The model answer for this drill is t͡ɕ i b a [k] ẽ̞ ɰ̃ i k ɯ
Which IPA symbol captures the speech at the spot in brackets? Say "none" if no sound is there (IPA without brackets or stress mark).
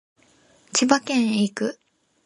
k